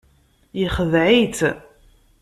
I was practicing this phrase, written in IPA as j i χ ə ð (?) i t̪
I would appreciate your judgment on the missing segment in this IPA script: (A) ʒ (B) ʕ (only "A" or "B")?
B